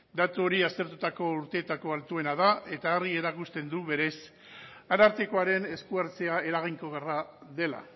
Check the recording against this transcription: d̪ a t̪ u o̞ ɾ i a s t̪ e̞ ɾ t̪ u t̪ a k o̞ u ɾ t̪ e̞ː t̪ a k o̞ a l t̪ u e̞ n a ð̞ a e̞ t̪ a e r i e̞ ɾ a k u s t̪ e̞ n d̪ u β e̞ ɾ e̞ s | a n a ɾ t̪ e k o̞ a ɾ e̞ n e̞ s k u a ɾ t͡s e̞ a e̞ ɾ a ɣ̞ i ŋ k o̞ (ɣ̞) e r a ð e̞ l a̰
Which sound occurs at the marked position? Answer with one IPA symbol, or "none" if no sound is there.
ɣ̞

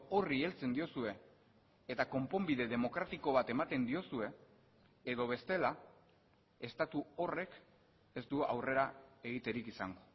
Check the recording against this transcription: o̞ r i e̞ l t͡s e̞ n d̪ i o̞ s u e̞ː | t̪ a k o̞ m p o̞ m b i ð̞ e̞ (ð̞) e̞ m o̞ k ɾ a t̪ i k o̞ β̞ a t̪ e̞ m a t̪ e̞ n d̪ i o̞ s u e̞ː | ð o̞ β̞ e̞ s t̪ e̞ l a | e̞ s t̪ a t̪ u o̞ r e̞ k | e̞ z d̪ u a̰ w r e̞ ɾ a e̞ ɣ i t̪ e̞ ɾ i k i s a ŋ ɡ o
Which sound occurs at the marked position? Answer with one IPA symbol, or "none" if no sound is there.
ð̞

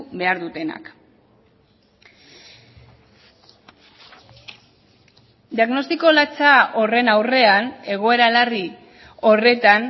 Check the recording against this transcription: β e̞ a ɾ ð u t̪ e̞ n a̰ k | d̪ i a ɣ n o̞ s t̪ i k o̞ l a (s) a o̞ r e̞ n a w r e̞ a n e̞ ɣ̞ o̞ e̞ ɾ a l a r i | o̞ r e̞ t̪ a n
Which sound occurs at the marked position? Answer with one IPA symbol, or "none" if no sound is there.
t͡s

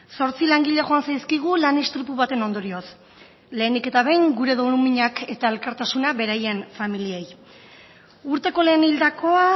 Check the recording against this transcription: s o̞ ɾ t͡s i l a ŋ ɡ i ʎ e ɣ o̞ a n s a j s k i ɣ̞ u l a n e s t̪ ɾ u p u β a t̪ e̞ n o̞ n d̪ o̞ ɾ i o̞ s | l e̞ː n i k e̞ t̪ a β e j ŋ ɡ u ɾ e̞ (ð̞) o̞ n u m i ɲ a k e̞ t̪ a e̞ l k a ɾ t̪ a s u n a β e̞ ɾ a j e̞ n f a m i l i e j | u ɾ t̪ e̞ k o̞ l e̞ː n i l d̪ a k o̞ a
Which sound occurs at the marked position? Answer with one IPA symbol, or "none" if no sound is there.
ð̞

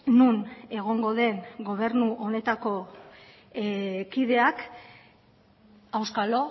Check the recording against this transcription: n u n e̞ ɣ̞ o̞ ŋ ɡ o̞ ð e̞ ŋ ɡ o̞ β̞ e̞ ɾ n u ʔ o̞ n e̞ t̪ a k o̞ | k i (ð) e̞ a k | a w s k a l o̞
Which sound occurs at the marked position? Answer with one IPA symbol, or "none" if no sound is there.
ð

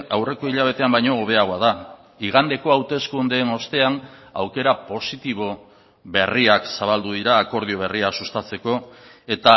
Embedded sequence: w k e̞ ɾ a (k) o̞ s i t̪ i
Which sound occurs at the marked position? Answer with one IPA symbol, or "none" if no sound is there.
p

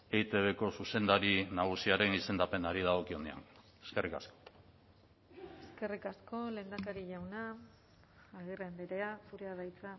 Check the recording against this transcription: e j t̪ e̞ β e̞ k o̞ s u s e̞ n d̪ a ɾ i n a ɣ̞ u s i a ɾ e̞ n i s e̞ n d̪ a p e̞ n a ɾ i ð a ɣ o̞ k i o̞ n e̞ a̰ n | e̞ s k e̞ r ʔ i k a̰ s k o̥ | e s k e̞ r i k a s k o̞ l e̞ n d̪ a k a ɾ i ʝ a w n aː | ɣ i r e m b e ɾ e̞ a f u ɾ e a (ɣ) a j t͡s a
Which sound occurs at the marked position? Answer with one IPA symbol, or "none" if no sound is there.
ð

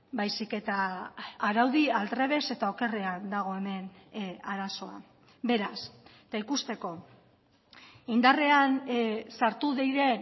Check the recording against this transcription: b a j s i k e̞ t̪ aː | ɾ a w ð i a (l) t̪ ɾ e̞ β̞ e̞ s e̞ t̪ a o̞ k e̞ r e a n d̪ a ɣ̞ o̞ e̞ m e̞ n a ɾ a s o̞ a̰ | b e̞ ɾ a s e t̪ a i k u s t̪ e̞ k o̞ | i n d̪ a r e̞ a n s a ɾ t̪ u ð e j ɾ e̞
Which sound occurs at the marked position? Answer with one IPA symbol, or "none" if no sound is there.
l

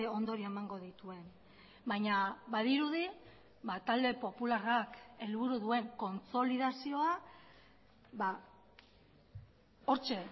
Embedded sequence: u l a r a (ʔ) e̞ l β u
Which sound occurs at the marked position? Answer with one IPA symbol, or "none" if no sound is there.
k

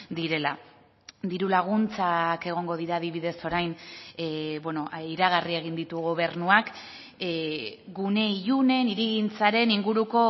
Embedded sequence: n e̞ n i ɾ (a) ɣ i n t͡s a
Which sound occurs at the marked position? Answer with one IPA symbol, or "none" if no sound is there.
i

